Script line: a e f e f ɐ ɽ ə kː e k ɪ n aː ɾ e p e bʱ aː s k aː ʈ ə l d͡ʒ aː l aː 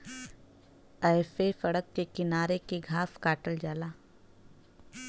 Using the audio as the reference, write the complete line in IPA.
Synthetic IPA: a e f e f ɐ ɽ ə kː e k ɪ n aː ɾ e k e ɡʱ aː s k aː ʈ ə l d͡ʒ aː l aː

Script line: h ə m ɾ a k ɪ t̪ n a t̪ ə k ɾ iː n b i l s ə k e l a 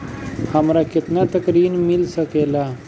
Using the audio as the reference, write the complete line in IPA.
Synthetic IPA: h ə m ɾ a k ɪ t̪ n a t̪ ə k ɾ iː n m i l s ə k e l a

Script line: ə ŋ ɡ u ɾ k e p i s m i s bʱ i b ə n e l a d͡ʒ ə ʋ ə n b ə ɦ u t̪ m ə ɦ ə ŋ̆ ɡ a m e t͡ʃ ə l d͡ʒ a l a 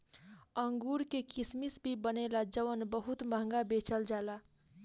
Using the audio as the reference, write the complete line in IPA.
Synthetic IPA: ə ŋ ɡ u ɾ k e k i s m i s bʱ i b ə n e l a d͡ʒ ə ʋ ə n b ə ɦ u t̪ m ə ɦ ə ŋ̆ ɡ a b e t͡ʃ ə l d͡ʒ a l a

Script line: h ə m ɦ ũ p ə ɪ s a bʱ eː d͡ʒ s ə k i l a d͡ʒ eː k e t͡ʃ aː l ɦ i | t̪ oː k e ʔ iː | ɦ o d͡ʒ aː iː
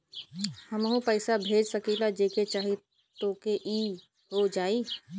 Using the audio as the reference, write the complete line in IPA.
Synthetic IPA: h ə m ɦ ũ p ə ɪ s a bʱ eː d͡ʒ s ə k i l a d͡ʒ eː k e t͡ʃ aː ɦ i | t̪ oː k e ʔ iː | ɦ o d͡ʒ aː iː

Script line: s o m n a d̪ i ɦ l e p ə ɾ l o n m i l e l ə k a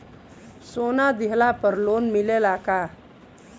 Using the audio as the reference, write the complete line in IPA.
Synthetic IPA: s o n a d̪ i ɦ l a p ə ɾ l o n m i l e l a k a

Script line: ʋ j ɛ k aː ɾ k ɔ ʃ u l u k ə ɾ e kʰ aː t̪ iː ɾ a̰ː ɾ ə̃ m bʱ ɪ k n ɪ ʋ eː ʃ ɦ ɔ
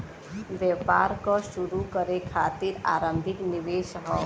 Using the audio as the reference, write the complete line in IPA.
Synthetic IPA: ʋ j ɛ p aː ɾ k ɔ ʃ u ɾ u k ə ɾ e kʰ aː t̪ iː ɾ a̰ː ɾ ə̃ m bʱ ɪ k n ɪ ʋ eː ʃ ɦ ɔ

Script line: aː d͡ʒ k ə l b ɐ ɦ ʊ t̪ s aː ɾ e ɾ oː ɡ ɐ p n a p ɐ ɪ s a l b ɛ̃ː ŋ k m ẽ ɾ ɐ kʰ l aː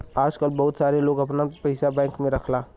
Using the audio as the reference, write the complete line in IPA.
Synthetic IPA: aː d͡ʒ k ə l b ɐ ɦ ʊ t̪ s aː ɾ e l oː ɡ ɐ p n a p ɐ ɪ s a b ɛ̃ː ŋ k m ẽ ɾ ɐ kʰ l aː

